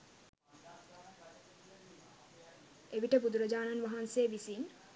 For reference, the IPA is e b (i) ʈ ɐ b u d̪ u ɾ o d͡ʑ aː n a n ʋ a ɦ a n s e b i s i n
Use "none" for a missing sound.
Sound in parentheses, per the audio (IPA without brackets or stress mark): i